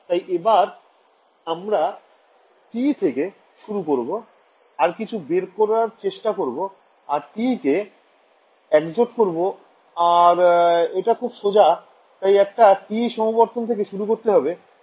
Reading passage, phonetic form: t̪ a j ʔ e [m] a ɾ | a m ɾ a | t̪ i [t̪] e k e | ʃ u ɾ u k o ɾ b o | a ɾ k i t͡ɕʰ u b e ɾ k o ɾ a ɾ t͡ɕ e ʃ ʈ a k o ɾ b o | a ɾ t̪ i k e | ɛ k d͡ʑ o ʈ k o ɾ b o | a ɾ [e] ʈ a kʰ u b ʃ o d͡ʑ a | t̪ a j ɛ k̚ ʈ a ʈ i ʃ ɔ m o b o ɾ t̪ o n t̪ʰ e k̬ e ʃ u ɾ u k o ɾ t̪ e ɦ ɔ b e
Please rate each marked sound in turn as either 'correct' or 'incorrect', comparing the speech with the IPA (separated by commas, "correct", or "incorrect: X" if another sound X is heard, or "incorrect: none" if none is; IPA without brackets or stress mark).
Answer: incorrect: b, incorrect: t̪ʰ, correct